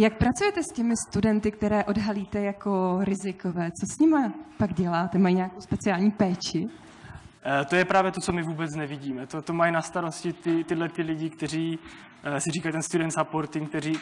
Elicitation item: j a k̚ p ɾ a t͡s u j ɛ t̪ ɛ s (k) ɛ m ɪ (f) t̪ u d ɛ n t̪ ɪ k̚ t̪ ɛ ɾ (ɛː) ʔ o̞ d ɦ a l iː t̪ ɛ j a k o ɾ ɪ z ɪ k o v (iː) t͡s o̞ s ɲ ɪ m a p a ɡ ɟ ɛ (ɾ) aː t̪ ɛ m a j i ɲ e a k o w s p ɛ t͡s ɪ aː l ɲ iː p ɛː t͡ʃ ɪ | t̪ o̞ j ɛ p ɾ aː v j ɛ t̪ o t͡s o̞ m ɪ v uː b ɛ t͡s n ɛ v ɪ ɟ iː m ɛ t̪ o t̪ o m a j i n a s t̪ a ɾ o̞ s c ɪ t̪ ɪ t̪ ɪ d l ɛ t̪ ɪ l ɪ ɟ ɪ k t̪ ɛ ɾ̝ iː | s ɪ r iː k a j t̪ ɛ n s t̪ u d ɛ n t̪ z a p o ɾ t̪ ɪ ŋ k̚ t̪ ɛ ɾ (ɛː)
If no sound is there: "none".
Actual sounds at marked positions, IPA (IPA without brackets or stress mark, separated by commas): c, s, ɛː, ɛː, l, iː